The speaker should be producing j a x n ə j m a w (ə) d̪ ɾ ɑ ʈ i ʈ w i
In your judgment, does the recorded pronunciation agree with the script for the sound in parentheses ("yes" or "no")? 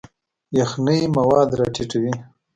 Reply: no